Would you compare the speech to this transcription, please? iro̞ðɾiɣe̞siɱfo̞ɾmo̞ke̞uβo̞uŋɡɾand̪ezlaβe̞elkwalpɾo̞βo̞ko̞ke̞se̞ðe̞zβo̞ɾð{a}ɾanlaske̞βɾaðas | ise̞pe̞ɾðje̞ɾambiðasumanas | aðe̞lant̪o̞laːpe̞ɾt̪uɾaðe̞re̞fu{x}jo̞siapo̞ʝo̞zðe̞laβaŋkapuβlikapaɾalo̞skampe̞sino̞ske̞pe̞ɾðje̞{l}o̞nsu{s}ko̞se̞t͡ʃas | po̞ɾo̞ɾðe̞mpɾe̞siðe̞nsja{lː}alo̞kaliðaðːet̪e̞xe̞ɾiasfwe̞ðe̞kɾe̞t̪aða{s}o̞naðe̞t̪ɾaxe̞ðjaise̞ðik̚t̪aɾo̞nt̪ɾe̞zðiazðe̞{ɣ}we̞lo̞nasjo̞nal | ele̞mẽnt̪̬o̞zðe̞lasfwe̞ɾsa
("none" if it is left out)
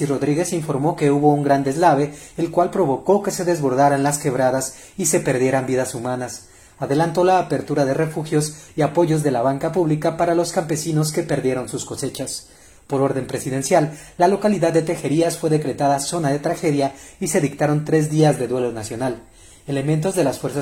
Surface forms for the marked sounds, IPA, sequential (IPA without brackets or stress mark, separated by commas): a, x, ɾ, s, lː, s, ð